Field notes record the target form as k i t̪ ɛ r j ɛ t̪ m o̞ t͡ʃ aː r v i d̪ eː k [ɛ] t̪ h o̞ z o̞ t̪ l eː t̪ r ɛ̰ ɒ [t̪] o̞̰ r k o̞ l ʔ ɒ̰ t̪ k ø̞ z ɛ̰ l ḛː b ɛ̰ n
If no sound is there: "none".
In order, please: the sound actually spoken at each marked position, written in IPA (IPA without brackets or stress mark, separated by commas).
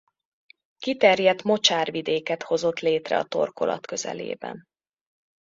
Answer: ɛ, t̪